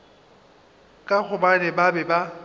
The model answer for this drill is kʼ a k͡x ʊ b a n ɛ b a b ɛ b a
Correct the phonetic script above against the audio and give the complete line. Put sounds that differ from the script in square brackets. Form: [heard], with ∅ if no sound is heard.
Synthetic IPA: kʼ a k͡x ʊ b a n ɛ b a b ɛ b a